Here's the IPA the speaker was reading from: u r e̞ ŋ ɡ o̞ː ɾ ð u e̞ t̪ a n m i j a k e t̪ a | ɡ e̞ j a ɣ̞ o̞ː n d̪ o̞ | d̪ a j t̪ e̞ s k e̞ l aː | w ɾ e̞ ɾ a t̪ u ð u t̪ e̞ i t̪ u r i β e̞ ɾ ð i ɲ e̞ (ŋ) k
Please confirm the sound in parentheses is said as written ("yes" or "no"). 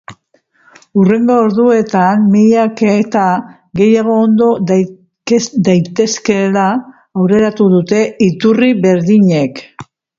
no